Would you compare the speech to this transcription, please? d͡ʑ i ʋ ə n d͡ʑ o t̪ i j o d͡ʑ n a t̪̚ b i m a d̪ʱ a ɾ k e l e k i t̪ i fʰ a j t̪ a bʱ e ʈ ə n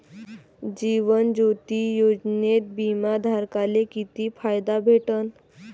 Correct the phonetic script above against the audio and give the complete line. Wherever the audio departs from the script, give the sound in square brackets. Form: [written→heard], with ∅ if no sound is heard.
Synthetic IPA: d͡ʑ i ʋ ə n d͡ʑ o t̪ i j o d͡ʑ n [a→e] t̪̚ b i m a d̪ʱ a ɾ k [e→a] l e k i t̪ i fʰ a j [t̪→d̪] a bʱ e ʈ ə n